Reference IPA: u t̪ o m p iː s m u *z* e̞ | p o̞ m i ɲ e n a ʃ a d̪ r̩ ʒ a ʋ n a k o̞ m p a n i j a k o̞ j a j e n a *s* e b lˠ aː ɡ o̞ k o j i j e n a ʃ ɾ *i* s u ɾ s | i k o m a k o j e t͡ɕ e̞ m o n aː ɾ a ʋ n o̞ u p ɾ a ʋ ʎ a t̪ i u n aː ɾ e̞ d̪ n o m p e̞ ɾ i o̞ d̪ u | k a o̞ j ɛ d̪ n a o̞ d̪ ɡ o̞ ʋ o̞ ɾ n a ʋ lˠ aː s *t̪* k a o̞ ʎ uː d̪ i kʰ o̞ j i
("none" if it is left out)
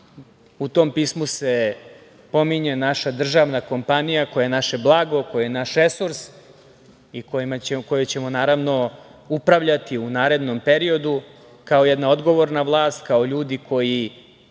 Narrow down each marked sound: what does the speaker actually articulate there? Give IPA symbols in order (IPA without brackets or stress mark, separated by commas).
s, ʃ, e, t̪